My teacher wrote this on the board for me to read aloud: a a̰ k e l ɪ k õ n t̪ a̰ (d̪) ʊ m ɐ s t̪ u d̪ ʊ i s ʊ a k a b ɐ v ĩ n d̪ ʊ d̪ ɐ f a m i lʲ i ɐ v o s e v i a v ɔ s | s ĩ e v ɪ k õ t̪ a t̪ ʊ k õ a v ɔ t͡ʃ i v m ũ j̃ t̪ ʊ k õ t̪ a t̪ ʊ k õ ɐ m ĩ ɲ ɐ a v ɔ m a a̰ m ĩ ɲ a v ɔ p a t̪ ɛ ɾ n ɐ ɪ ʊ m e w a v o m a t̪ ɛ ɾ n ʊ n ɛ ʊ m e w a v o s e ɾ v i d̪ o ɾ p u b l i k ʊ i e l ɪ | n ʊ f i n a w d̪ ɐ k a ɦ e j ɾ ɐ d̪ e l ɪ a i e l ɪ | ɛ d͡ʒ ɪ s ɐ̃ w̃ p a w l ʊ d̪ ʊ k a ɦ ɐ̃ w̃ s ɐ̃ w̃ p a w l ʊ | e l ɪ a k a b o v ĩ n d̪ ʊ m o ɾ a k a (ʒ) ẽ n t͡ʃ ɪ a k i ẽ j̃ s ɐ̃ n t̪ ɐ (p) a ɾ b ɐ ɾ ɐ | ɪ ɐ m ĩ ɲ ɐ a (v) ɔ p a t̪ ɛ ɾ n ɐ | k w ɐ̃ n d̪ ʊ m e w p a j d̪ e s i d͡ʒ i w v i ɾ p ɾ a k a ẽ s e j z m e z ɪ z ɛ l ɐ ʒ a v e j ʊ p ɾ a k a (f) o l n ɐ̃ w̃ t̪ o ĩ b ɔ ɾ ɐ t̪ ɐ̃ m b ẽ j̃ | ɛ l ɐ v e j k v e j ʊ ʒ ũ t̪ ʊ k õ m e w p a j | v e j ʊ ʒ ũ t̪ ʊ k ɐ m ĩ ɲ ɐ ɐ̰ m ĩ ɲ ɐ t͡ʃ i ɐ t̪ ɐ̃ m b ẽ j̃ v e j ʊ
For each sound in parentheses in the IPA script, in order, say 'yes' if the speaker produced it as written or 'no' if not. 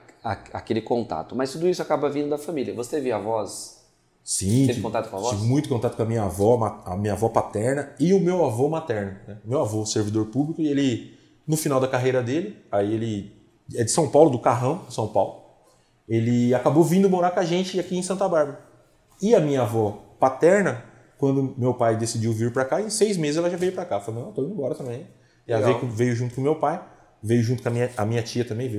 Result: no, yes, no, yes, yes

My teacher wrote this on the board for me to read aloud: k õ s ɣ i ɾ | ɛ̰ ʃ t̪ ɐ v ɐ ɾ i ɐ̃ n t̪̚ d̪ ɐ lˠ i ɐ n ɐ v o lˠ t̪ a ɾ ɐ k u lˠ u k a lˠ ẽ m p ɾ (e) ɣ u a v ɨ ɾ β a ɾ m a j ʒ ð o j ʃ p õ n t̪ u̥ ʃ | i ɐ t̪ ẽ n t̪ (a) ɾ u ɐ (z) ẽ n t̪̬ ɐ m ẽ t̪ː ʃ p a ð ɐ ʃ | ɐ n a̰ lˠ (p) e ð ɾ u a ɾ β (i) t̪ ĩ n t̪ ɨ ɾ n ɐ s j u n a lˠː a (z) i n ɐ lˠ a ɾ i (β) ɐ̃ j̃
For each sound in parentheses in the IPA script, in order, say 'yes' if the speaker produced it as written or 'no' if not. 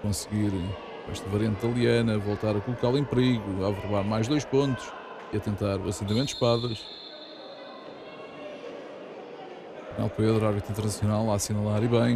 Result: no, yes, no, yes, yes, no, yes

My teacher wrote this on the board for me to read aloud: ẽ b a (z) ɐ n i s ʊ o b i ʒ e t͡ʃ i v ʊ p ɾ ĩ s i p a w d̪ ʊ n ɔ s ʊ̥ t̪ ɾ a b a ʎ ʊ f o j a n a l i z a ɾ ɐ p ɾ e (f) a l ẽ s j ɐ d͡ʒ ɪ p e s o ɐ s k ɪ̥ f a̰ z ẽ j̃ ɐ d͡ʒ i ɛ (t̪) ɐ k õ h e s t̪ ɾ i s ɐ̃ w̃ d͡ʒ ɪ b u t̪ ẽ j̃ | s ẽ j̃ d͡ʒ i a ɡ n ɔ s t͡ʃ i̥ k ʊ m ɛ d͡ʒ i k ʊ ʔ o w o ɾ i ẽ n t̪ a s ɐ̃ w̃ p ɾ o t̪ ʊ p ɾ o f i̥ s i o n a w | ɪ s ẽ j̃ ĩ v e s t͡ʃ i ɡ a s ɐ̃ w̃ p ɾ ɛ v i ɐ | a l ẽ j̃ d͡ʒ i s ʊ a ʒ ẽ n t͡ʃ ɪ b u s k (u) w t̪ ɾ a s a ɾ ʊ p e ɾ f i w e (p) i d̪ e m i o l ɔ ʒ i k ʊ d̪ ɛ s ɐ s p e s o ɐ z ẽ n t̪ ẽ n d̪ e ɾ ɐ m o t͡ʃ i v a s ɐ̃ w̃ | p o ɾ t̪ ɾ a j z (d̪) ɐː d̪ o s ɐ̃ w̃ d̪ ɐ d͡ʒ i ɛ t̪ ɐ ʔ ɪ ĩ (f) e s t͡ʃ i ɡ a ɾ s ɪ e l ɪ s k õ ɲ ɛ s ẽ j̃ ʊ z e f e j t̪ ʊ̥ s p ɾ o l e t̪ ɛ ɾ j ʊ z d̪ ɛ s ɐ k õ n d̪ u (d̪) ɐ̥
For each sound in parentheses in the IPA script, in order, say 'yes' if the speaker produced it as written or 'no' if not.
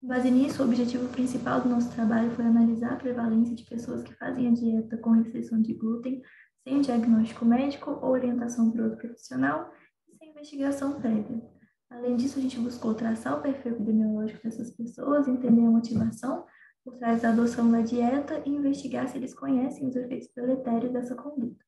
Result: yes, no, yes, no, yes, yes, no, no

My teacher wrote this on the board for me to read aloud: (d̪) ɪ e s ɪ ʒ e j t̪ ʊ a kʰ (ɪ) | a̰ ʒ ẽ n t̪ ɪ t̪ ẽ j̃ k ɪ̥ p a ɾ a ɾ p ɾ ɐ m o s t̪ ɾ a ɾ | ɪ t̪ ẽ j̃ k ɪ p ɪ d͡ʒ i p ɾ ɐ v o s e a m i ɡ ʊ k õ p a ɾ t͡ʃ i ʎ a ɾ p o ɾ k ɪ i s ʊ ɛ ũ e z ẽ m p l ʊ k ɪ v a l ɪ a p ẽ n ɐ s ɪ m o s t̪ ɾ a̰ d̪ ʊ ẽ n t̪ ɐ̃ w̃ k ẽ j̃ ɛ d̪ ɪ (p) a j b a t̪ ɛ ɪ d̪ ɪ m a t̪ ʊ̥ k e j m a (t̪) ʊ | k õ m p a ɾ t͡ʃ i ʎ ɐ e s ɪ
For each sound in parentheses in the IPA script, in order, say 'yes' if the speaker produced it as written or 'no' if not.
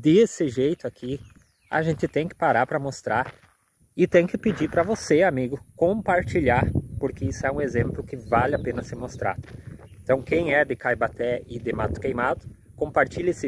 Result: yes, no, no, no

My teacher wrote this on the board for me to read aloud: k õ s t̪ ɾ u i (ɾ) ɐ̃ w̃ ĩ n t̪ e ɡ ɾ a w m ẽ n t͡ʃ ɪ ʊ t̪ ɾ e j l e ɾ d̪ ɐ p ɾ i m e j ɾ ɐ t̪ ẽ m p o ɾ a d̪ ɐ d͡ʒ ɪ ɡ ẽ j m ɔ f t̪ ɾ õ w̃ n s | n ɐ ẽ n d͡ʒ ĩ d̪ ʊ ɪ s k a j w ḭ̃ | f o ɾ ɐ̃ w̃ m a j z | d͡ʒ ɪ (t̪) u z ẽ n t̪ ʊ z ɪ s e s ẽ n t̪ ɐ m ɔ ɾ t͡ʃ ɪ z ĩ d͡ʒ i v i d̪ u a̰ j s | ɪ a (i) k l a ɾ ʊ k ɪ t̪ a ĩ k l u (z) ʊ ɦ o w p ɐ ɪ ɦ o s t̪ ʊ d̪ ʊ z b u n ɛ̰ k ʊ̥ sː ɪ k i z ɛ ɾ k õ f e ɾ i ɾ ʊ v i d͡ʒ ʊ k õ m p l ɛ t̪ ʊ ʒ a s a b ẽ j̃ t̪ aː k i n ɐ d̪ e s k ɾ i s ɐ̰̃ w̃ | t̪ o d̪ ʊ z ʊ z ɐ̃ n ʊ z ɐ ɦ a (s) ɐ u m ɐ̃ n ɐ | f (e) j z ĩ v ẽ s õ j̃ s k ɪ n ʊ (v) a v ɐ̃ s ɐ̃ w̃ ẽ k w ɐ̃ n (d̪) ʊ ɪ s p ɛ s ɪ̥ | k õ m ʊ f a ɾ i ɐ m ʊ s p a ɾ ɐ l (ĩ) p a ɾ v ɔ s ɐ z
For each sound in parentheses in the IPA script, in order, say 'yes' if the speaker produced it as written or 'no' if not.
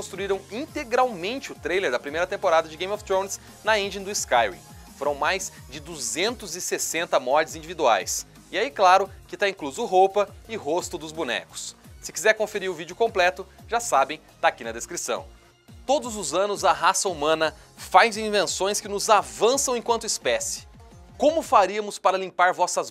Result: yes, no, yes, yes, yes, no, no, no, yes

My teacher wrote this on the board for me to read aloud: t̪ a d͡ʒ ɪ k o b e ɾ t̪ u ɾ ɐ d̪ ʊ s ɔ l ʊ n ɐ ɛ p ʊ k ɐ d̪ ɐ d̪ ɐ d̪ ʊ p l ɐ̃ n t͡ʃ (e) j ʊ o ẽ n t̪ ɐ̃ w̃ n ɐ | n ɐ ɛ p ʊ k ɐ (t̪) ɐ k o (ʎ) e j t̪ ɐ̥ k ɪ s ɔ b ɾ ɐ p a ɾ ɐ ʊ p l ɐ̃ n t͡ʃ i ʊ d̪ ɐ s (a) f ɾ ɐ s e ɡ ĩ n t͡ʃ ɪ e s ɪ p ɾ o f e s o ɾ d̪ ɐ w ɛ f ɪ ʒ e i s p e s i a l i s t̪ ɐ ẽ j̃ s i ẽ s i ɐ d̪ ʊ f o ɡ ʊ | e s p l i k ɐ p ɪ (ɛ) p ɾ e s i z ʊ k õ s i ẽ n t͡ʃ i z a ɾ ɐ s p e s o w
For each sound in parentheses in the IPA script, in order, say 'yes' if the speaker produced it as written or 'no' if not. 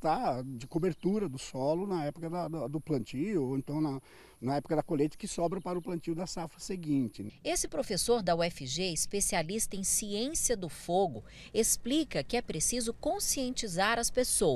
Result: no, no, no, yes, yes

